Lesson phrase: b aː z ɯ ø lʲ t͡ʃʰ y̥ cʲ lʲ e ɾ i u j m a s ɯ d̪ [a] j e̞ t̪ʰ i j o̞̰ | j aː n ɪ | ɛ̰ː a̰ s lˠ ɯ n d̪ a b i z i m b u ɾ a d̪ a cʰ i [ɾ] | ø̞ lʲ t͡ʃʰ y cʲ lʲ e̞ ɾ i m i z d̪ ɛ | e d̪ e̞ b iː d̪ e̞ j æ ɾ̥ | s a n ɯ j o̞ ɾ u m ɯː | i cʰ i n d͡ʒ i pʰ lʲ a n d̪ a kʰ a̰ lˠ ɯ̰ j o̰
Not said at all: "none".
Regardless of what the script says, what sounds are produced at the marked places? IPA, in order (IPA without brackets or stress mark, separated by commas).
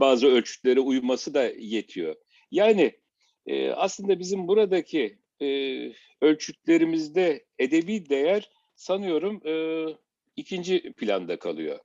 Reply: a, none